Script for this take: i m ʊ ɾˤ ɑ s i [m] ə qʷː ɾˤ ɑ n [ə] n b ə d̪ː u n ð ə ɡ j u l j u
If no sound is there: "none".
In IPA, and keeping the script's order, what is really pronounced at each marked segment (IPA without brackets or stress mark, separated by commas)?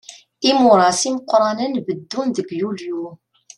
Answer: m, ə